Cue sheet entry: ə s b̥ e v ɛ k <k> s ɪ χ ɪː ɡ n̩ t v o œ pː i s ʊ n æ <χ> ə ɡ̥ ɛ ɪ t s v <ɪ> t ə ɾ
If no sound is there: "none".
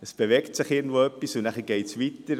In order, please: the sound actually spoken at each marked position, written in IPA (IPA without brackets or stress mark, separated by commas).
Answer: t, χ, i